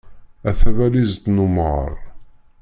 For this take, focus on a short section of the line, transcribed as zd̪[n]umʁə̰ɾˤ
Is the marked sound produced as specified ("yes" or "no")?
yes